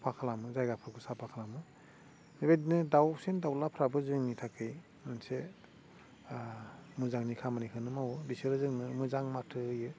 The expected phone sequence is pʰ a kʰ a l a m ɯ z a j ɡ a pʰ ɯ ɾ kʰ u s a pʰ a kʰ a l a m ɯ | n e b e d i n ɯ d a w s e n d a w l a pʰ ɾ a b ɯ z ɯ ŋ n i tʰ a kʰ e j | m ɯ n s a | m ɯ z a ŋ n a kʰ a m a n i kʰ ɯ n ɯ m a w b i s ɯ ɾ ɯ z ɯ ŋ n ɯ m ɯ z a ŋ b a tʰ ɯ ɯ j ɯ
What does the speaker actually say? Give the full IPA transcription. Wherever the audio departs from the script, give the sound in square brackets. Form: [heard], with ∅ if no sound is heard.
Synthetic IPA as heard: pʰ a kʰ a l a m ɯ z a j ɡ a pʰ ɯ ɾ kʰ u s a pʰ a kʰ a l a m ɯ | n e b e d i n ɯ d a w s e n d a w l a pʰ ɾ a b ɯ z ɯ ŋ n i tʰ a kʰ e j | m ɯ n s [e] | m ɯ z a ŋ n [i] kʰ a m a n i kʰ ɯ n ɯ m a w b i s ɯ ɾ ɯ z ɯ ŋ n ɯ m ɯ z a ŋ [m] a tʰ ɯ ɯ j ɯ

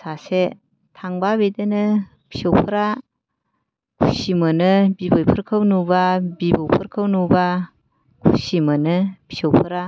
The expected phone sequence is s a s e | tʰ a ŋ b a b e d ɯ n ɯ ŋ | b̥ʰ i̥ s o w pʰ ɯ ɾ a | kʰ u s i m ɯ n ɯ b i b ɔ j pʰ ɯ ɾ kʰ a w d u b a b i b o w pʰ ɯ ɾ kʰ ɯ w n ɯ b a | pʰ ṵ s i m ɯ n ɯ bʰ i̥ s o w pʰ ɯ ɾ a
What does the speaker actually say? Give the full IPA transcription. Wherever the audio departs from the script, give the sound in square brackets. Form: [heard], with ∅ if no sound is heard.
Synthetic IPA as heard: s a s e | tʰ a ŋ b a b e d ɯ n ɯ [∅] | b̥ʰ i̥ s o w pʰ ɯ ɾ a | kʰ u s i m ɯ n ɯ b i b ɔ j pʰ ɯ ɾ kʰ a w [n] u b a b i b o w pʰ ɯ ɾ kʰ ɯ w n [u] b a | [kʰ] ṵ s i m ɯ n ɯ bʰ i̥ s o w pʰ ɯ ɾ a

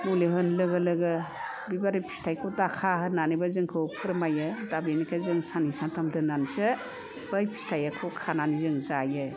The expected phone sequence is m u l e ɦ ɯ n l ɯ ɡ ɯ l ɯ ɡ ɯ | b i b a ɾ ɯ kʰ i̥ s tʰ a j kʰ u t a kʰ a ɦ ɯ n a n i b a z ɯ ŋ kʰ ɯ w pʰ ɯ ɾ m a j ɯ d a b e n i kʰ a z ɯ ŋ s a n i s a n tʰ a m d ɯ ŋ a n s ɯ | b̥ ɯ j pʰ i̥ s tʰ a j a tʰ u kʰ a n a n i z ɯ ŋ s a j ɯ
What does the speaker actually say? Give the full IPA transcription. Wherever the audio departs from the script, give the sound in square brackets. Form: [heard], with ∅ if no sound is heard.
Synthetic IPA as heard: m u l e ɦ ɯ n l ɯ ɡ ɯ l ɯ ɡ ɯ | b i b a ɾ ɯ [pʰ] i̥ s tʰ a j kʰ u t a kʰ a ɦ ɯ n a n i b a z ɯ ŋ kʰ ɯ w pʰ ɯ ɾ m a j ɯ d a b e n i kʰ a z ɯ ŋ s a n i s a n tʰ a m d ɯ [n] a n s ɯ | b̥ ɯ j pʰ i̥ s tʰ a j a [kʰ] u kʰ a n a n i z ɯ ŋ [z] a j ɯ

